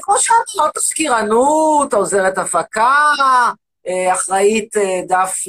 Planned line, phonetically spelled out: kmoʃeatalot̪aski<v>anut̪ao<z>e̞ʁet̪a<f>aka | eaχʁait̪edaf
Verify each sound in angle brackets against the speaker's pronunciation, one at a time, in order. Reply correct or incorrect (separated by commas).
incorrect, correct, correct